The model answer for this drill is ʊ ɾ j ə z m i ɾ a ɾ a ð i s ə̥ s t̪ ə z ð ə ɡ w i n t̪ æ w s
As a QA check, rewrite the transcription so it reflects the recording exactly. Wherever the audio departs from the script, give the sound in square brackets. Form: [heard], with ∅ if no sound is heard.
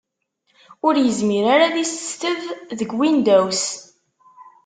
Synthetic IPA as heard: ʊ ɾ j ə z m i ɾ a ɾ a ð i s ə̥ s t̪ ə [v] ð ə ɡ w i n [d̪] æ w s